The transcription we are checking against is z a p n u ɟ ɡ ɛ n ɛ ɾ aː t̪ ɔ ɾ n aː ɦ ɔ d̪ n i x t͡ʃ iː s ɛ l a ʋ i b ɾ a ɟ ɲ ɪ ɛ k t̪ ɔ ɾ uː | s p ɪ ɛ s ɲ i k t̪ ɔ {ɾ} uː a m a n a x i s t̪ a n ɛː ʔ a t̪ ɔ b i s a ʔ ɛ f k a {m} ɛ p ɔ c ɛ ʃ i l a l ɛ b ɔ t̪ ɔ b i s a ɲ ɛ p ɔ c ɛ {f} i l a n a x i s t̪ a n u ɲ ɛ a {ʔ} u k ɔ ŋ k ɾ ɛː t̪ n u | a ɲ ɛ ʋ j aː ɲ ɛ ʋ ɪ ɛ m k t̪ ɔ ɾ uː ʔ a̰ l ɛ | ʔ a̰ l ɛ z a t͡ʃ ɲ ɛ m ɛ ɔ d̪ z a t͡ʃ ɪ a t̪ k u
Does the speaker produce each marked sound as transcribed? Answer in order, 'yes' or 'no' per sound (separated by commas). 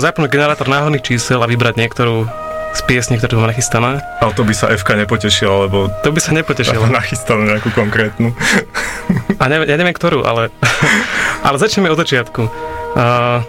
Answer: yes, no, no, no